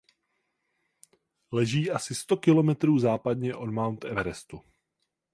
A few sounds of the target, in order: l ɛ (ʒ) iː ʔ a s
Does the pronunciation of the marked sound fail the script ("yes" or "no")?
no